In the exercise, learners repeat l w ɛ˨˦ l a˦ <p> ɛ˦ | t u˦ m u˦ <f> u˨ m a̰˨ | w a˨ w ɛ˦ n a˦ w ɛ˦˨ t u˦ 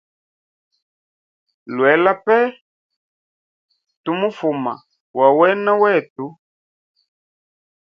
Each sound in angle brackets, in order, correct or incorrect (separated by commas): correct, correct